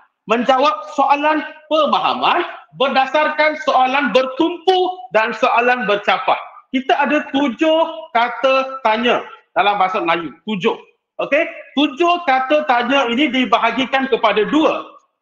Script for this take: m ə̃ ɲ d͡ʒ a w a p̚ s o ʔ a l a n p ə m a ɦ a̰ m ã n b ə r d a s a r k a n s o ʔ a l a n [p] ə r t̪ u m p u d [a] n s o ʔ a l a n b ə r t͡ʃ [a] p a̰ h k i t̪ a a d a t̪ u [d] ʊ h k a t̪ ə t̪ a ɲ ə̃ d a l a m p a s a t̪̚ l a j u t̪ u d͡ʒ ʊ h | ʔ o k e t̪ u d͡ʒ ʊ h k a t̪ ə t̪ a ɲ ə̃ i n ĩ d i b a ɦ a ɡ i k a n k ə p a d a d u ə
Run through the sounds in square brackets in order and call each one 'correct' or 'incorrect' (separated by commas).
incorrect, correct, correct, incorrect